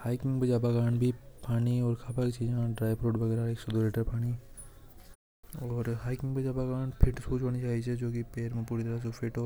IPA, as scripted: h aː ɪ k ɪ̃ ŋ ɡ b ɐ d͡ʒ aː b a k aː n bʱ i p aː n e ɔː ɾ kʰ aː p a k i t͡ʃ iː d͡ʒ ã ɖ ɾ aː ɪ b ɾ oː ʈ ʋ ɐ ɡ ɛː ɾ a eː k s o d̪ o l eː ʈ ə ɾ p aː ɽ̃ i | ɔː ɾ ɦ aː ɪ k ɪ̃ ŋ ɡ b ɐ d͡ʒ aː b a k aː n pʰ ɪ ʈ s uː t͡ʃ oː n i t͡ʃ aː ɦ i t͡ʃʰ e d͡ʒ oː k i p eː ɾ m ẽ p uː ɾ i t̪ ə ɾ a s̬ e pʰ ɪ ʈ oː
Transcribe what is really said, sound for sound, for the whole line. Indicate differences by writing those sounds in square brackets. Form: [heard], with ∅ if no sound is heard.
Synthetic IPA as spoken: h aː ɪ k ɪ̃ ŋ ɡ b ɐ d͡ʒ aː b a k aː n bʱ i p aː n [i] ɔː ɾ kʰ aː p a k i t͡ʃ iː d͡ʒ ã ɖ ɾ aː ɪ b ɾ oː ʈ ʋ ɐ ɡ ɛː ɾ a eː k s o d̪ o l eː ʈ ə ɾ p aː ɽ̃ i | ɔː ɾ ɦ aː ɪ k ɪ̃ ŋ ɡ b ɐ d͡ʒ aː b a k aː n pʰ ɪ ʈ s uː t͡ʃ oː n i t͡ʃ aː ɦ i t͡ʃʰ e d͡ʒ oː k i p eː ɾ m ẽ p uː ɾ i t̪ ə ɾ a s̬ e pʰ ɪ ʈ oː